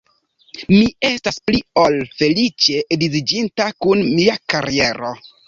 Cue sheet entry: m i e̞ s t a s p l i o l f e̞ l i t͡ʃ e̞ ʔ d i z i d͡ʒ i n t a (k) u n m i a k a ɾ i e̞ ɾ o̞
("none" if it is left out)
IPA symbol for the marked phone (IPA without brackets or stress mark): k